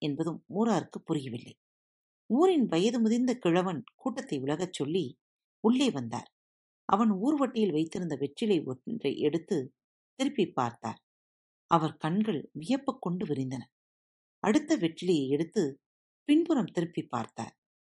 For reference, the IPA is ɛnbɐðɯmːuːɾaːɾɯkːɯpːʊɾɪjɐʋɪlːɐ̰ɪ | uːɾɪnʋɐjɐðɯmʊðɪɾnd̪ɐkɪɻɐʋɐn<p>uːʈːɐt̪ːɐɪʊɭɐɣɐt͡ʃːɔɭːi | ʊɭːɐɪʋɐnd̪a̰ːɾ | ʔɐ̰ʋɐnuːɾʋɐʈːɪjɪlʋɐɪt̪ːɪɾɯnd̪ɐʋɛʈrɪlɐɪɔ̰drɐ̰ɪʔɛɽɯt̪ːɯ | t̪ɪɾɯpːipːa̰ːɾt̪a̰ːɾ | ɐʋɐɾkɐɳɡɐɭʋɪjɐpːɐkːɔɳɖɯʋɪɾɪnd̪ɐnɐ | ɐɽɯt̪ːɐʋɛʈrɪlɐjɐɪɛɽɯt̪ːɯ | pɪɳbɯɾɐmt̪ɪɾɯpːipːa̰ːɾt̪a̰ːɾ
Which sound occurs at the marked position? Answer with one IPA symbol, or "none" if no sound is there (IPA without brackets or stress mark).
k